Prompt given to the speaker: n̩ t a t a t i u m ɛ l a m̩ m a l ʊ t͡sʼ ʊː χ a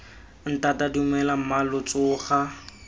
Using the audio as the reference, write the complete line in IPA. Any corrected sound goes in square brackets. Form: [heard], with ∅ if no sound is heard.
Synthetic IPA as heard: n̩ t a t a [d] i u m ɛ l a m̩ m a l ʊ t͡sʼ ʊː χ a